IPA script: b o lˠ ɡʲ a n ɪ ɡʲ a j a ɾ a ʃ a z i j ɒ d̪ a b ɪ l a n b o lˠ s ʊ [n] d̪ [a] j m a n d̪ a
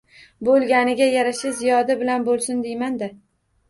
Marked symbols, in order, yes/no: yes, no

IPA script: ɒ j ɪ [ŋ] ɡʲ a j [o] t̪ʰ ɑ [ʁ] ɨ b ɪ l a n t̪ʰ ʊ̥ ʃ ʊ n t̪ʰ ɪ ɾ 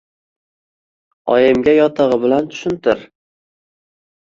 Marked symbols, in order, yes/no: no, no, yes

